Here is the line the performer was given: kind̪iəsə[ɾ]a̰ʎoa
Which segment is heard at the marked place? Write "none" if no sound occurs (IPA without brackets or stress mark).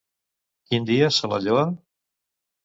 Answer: l